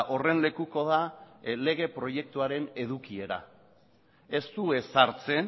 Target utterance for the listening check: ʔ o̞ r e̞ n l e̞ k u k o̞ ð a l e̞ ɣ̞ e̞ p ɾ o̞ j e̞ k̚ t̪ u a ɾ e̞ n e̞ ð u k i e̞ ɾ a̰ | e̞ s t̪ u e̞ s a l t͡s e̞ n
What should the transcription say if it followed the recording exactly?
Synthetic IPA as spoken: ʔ o̞ r e̞ n l e̞ k u k o̞ ð a l e̞ ɣ̞ e̞ p ɾ o̞ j e̞ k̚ t̪ u a ɾ e̞ n e̞ ð u k i e̞ ɾ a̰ | e̞ s t̪ u e̞ s a ɾ t͡s e̞ n